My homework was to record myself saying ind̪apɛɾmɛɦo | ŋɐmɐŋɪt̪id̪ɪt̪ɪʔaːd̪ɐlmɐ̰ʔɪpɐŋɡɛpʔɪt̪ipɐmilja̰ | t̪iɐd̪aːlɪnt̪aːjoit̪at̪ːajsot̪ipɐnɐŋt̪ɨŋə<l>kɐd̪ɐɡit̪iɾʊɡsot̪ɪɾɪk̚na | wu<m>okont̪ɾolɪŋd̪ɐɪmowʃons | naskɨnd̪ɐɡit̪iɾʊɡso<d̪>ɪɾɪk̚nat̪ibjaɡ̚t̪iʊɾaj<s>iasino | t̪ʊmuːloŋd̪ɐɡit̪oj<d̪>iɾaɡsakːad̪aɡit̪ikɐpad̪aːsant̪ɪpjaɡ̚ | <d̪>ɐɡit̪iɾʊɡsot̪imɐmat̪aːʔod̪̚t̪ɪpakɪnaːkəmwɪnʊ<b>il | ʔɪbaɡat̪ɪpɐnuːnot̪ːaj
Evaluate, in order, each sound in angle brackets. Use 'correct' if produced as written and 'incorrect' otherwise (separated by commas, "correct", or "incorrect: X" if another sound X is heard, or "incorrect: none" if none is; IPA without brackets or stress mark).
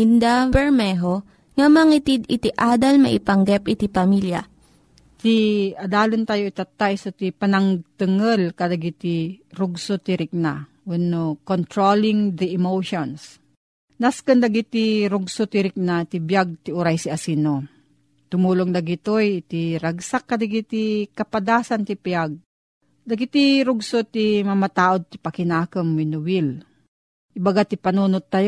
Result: correct, incorrect: n, incorrect: t̪, correct, incorrect: t̪, correct, incorrect: w